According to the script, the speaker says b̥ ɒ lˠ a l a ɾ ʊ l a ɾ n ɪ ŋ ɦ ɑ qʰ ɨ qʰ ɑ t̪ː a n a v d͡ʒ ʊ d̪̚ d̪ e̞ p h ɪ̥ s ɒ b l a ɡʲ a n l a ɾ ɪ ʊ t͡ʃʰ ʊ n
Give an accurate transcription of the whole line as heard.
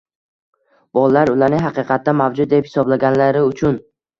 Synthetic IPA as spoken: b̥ ɒ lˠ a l a ɾ ʊ l a ɾ n ɪ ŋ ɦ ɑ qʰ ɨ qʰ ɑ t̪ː a m a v d͡ʒ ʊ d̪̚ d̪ e̞ p h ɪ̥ s ɒ b l a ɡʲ a n l a ɾ ɪ ʊ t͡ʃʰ ʊ n

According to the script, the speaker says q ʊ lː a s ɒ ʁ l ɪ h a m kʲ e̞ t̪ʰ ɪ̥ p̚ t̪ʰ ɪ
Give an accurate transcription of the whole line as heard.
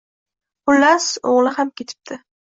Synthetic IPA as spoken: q ʊ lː a s o ʁ l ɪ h a m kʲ e̞ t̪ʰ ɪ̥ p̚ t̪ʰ ɪ

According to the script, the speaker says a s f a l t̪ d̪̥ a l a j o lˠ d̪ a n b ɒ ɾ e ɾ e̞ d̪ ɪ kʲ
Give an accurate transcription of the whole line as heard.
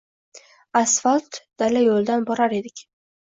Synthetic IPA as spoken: a s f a l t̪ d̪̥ a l a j o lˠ d̪ a n b ɒ ɾ a ɾ e̞ d̪ ɪ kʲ

